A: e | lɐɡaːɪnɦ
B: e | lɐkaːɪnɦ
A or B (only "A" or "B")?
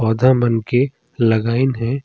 A